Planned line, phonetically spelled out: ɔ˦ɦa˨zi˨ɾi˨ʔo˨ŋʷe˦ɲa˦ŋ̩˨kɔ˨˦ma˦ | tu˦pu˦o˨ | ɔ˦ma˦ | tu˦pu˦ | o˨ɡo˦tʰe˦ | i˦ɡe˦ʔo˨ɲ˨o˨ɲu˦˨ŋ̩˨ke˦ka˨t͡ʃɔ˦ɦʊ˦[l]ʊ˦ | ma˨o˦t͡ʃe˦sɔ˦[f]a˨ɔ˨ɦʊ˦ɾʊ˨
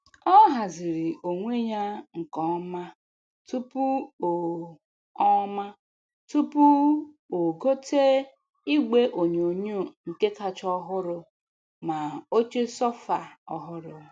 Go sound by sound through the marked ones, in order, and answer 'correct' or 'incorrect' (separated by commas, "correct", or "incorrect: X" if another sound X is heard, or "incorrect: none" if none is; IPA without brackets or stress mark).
incorrect: ɾ, correct